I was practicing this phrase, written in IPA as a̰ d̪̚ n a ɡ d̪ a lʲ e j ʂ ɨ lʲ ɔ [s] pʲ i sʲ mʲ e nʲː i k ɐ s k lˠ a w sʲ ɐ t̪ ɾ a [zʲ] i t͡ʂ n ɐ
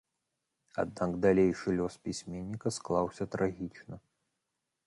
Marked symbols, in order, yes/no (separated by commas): yes, no